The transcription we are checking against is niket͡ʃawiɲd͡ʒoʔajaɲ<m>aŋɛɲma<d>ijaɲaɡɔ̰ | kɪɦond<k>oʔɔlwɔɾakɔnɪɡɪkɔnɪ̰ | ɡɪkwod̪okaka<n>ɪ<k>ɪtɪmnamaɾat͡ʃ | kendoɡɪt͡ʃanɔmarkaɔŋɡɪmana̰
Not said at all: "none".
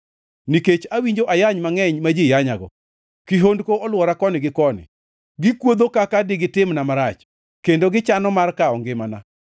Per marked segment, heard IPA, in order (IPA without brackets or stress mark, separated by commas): m, d͡ʒ, k, d, ɡ